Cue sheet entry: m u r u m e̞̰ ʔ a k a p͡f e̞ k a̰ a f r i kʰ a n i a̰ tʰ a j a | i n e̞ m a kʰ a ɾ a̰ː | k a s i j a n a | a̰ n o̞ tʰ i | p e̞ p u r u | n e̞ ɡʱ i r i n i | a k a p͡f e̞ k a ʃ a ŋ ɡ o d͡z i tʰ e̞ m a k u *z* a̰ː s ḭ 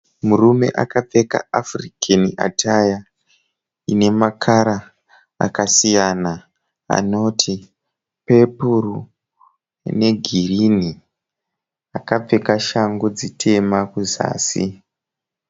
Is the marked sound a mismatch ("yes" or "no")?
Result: no